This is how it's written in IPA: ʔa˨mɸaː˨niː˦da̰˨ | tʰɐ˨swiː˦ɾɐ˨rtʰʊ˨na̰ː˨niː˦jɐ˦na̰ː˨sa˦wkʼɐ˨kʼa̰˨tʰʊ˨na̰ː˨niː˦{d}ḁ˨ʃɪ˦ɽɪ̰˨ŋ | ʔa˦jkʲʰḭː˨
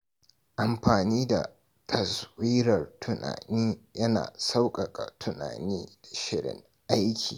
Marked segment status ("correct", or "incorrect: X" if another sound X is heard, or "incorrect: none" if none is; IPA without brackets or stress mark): correct